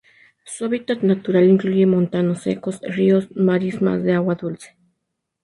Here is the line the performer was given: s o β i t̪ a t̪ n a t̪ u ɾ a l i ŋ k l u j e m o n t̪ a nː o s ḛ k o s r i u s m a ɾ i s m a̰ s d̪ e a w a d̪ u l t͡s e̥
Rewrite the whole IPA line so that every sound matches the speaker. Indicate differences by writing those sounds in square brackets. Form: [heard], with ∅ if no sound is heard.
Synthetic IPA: s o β i t̪ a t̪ n a t̪ u ɾ a l i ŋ k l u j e m o n t̪ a [n] o s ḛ k o s r i [o] s m a ɾ i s m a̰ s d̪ e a w a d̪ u l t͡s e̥